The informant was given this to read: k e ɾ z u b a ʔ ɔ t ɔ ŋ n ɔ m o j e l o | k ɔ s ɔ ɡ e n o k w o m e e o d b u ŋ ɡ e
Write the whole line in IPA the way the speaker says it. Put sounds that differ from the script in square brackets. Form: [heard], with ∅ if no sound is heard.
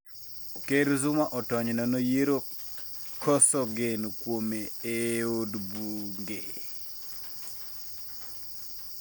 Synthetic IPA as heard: k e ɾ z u [m] a ʔ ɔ t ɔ [ɲ] n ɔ [n] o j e [ɾ] o | k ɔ s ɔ ɡ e n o k w o m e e o d b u ŋ ɡ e